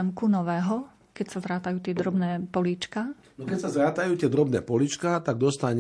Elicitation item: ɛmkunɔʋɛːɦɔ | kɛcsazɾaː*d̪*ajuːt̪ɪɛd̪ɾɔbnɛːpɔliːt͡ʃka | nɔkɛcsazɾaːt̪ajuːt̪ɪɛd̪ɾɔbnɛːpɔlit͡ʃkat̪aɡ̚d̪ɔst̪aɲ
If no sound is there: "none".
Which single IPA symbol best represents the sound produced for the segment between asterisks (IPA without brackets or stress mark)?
t̪